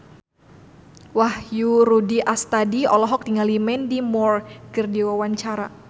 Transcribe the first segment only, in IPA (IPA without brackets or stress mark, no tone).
w